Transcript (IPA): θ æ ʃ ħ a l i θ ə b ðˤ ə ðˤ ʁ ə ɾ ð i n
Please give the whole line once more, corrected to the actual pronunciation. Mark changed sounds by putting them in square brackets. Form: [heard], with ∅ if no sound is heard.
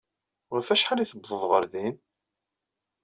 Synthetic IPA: [f] æ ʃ ħ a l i θ ə b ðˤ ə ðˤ ʁ ə ɾ ð i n